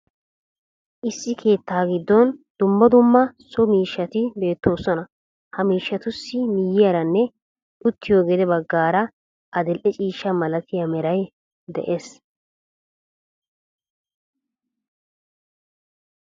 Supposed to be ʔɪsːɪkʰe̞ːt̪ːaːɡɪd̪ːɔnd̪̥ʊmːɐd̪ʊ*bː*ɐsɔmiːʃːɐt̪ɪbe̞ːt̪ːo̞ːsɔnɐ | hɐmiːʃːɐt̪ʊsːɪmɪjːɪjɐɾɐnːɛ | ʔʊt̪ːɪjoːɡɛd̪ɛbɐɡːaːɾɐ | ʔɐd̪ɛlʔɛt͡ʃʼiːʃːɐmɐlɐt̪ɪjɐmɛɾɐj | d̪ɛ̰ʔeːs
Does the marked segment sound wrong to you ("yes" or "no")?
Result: yes